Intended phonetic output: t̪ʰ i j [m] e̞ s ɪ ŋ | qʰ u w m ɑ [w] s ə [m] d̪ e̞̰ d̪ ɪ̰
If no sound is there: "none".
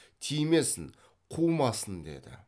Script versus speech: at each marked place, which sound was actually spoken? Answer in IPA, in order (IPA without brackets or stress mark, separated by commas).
m, none, n